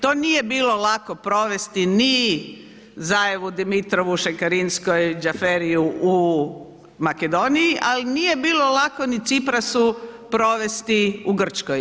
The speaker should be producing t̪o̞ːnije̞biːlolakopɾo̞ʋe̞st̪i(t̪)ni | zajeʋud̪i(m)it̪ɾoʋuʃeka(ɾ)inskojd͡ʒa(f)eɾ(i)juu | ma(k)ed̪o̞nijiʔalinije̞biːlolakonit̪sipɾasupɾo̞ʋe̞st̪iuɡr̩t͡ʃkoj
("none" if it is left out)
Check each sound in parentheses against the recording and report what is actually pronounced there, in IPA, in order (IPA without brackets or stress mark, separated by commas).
none, m, ɾ, f, i, k